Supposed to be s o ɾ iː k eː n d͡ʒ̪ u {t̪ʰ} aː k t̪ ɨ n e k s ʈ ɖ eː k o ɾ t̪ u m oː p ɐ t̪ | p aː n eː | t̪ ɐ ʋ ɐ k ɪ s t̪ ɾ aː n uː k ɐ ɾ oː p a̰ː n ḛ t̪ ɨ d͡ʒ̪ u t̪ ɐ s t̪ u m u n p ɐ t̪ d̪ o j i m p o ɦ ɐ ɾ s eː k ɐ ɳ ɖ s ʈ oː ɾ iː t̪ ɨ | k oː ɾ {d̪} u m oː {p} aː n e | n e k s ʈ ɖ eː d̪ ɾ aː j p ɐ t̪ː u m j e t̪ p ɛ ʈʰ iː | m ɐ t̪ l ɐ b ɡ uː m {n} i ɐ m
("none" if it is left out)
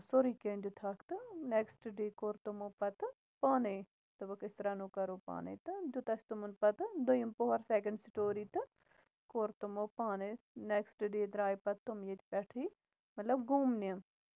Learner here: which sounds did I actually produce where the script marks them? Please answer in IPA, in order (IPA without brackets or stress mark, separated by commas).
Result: t̪ʰ, t̪, p, n